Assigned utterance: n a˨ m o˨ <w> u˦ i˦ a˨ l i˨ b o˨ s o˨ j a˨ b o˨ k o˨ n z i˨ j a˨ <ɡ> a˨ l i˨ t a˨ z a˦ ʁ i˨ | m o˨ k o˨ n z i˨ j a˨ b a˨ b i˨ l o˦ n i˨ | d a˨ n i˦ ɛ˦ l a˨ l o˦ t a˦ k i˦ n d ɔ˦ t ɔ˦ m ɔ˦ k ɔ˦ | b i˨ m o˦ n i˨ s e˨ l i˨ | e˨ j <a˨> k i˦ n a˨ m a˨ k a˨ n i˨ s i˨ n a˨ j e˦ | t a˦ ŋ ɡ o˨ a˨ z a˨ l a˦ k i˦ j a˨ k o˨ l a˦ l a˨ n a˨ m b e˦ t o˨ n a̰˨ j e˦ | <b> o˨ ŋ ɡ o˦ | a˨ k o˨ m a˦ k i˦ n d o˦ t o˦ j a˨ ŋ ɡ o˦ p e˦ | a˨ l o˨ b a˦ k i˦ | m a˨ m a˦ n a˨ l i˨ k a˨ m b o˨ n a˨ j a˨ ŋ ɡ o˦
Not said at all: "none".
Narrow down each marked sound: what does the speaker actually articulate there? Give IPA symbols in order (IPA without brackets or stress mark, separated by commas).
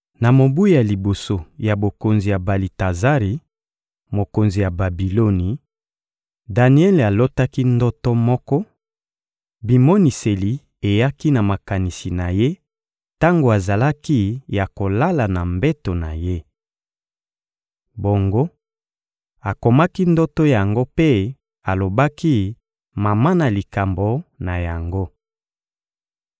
b, b, a˦, b